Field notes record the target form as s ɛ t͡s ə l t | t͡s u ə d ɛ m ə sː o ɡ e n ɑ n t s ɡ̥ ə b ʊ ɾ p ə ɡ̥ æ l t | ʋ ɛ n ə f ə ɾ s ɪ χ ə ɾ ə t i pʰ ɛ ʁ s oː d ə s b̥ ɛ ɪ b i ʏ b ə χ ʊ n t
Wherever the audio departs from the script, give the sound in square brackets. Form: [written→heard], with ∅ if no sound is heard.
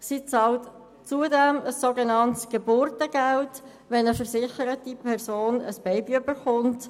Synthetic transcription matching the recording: s [ɛ→i] t͡s [ə→ɑ] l t | t͡s u ə d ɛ m ə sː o ɡ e n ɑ n t s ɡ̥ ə b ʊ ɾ [p→t] ə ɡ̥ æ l t | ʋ ɛ n ə f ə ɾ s ɪ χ ə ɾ ə t i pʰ ɛ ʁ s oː [d→n] ə s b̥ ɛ ɪ b i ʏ b ə χ ʊ n t